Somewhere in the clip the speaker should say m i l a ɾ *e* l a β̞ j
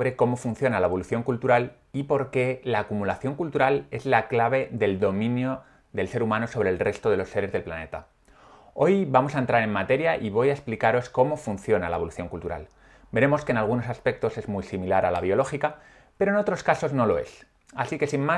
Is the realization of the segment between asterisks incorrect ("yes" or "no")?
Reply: yes